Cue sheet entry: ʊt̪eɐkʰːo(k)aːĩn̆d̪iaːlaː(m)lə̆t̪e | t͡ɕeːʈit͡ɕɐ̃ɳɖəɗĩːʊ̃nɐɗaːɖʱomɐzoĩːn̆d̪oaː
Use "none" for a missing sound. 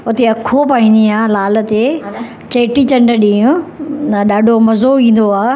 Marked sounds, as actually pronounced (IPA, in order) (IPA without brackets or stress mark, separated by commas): p, none